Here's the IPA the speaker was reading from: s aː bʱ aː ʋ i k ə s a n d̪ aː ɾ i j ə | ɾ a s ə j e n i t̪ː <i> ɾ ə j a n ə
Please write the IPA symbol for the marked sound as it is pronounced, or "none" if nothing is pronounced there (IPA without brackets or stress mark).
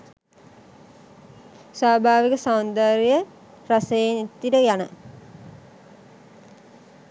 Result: i